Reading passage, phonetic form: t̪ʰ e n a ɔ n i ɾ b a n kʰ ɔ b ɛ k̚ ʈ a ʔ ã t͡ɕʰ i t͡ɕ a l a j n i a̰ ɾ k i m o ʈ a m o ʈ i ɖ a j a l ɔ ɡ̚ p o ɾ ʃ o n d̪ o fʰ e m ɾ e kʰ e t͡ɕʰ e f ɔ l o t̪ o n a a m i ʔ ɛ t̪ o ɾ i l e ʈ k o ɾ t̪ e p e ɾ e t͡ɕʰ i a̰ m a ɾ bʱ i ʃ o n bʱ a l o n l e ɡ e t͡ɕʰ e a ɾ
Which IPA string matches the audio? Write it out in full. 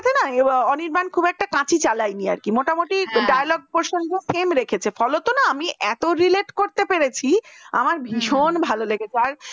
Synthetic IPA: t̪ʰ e n a ɔ n i ɾ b a n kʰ u b ɛ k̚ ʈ a k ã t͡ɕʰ i t͡ɕ a l a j n i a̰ ɾ k i m o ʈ a m o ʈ i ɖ a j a l ɔ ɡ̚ p o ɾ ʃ o n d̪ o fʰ e m ɾ e kʰ e t͡ɕʰ e f ɔ l o t̪ o n a a m i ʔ ɛ t̪ o ɾ i l e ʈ k o ɾ t̪ e p e ɾ e t͡ɕʰ i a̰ m a ɾ bʱ i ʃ o n bʱ a l o l e ɡ e t͡ɕʰ e a ɾ